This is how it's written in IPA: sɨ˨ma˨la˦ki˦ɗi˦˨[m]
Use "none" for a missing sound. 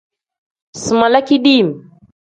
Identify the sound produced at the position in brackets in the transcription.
m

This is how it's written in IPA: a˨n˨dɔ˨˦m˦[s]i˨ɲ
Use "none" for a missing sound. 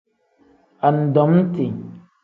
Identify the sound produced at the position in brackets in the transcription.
t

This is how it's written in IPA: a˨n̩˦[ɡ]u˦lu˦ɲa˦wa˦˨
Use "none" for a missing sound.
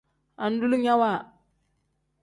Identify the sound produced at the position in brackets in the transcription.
d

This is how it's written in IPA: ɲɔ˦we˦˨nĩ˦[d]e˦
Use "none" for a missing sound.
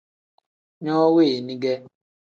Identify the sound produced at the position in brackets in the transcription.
ɡ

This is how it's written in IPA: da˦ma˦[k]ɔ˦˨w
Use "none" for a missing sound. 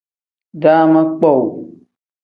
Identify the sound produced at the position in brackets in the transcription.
k͡p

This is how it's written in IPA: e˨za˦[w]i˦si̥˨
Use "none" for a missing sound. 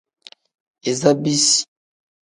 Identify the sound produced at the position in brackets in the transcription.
b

